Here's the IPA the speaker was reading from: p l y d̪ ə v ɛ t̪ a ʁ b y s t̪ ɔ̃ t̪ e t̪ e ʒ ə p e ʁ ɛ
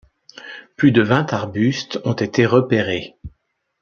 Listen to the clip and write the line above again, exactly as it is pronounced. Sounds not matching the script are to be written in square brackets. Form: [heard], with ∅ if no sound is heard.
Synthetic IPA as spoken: p l y d̪ ə v [ɛ̃] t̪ a ʁ b y s t̪ ɔ̃ t̪ e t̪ e [ʁ] ə p e ʁ [e]